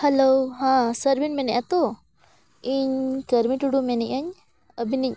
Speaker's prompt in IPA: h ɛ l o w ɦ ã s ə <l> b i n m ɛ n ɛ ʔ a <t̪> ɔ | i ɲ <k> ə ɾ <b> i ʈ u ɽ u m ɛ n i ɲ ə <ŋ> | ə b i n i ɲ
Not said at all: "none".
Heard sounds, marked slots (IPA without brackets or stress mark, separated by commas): ɾ, t̪, k, m, ɲ